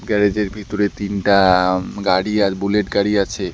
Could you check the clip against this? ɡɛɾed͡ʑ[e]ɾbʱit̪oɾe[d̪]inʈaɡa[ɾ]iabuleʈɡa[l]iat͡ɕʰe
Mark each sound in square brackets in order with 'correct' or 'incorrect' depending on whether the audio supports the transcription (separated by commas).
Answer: correct, incorrect, incorrect, incorrect